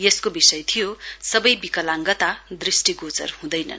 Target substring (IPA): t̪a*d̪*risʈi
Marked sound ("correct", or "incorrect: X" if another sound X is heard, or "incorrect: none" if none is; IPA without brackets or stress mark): correct